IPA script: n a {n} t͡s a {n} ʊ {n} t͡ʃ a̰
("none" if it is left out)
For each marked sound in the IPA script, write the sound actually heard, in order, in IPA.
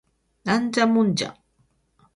n, m, n

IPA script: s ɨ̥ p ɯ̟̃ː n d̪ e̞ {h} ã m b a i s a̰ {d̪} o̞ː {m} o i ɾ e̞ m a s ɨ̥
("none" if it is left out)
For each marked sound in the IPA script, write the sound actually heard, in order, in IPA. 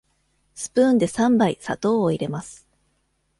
s, t̪, none

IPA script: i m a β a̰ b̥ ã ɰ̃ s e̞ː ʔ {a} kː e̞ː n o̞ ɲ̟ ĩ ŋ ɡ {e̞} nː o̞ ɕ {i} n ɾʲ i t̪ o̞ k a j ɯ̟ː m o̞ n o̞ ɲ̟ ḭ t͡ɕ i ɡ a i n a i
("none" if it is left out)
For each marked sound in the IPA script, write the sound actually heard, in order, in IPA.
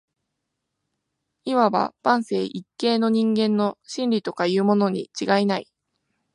i, ẽ̞, ĩ

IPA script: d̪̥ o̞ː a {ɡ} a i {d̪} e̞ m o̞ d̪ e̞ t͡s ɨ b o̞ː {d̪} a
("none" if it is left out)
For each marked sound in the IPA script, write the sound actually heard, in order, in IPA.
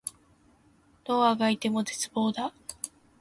ɡ, t̪, d̪

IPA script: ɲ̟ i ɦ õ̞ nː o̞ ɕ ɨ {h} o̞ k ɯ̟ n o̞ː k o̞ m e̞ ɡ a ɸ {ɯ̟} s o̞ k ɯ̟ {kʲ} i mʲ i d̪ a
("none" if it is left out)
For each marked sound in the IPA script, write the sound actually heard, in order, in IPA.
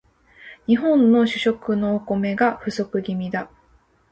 ɕ, ɯ̟, ɡʲ

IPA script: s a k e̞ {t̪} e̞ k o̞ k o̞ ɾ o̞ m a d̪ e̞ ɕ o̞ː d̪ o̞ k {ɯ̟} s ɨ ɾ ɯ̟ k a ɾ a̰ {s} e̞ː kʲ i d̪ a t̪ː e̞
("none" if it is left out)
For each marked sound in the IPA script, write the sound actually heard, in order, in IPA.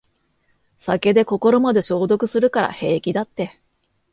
d̪, ɯ̟, h

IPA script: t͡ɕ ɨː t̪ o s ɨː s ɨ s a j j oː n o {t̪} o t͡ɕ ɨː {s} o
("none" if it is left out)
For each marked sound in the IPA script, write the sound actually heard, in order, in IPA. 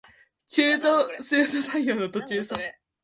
t̪, s

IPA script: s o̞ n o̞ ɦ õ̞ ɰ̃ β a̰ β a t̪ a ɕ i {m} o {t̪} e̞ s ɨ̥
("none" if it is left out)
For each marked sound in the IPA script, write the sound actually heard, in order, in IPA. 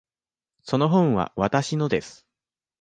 n, d̪

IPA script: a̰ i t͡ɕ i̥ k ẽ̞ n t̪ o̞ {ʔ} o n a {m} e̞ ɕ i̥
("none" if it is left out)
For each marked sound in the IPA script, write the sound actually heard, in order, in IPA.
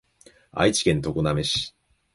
k, m

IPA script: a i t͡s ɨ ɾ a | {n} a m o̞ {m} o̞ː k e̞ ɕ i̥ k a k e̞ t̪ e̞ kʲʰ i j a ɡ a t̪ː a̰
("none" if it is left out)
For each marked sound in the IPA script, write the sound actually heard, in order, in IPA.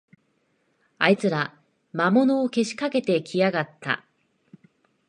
m, n

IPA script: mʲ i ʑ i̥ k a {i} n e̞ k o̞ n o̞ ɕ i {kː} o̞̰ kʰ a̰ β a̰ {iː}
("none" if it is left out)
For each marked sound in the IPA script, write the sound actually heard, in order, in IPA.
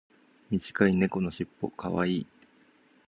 i, pː, iː

